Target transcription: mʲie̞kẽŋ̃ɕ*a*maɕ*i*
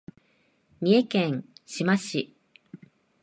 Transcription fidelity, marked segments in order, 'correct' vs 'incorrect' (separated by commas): incorrect, correct